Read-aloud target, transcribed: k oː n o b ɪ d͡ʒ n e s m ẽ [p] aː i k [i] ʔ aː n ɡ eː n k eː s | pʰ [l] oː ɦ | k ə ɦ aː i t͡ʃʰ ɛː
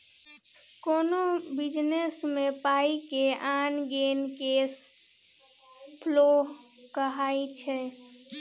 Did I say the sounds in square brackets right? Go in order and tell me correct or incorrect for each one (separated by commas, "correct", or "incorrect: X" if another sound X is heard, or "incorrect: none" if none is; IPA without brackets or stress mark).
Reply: correct, incorrect: e, correct